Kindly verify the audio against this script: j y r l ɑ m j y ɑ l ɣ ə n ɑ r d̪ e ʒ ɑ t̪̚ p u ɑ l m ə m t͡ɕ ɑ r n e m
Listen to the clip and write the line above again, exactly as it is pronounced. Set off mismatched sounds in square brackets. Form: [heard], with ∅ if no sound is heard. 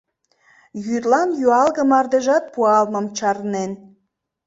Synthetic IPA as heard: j y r l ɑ [n] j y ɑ l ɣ ə [m] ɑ r d̪ e ʒ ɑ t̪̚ p u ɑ l m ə m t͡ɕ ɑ r n e [n]